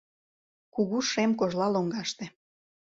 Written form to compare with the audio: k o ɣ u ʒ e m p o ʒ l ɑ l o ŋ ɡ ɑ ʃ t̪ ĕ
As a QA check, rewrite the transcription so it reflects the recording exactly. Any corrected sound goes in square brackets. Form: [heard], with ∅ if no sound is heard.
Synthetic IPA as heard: k [u] ɣ u [ʃ] e m [k] o ʒ l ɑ l o ŋ ɡ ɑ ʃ t̪ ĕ